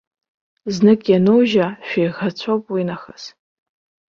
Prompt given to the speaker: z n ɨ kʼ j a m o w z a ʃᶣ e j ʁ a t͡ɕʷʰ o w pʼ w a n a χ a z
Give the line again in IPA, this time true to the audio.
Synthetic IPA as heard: z n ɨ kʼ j a n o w ʒ a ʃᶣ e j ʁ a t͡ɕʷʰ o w pʼ w i n a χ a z